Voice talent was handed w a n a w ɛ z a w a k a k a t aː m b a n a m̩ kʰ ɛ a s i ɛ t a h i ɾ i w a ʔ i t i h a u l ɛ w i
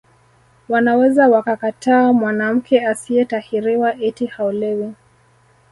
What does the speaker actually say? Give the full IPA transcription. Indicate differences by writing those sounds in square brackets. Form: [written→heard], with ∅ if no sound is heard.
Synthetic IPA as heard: w a n a w ɛ z a w a k a k a t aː m [b→w] a n a m̩ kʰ ɛ a s i ɛ t a h i ɾ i w a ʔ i t i h a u l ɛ w i